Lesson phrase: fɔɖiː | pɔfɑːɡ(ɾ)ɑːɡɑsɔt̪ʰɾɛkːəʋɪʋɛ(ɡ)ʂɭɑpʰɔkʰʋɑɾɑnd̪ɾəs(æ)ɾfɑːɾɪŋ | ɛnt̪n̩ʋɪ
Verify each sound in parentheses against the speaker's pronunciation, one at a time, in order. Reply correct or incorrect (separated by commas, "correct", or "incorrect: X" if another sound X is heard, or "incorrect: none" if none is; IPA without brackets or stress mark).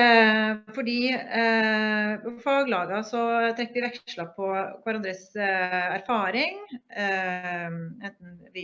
incorrect: l, incorrect: k, correct